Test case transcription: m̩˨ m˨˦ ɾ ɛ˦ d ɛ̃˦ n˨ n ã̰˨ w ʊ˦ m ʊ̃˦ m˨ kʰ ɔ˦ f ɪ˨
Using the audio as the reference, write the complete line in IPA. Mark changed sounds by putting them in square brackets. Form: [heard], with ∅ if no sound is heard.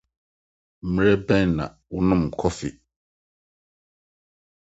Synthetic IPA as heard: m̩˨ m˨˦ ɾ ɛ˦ [b] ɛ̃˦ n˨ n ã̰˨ w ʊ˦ [n] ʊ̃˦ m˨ kʰ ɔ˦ f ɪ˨